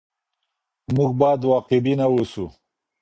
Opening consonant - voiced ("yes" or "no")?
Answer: yes